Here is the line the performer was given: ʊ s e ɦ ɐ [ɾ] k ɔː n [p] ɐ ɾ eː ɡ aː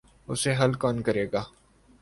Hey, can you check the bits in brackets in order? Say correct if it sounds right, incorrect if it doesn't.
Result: incorrect: l, incorrect: k

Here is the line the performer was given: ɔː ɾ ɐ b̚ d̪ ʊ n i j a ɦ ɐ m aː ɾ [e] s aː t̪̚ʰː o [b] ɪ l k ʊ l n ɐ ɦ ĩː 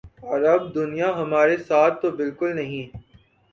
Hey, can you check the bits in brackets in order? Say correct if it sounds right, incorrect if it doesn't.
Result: correct, correct

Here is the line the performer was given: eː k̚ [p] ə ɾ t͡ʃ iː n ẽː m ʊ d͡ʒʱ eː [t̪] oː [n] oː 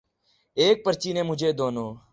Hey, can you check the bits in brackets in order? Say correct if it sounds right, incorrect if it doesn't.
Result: correct, incorrect: d̪, correct

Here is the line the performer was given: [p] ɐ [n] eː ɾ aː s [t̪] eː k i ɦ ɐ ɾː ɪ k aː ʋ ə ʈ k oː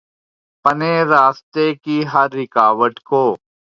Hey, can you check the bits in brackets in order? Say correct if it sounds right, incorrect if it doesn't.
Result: correct, correct, correct

